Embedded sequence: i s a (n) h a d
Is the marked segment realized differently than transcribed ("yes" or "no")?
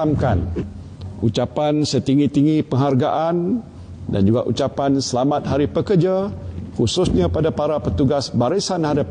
no